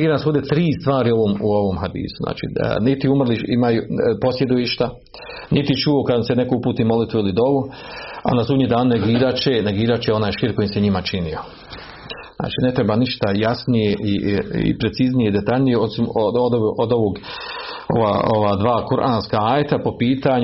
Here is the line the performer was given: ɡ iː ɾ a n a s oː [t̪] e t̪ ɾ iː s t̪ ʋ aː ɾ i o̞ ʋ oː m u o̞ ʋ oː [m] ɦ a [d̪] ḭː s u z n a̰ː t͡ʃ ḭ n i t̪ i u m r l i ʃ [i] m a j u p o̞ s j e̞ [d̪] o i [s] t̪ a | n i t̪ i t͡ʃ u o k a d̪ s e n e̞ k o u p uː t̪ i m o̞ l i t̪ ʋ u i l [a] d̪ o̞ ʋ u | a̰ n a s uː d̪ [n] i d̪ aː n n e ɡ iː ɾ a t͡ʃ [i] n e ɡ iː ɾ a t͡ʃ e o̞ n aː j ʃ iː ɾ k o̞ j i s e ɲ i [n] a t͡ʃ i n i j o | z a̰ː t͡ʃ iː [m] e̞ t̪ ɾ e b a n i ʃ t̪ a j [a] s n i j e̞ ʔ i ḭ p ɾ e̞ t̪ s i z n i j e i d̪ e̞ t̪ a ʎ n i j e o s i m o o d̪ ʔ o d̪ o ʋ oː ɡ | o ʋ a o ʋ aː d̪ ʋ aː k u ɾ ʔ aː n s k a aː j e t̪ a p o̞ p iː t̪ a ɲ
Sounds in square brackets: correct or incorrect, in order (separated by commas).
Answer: incorrect, correct, correct, correct, correct, incorrect, incorrect, incorrect, incorrect, incorrect, incorrect, correct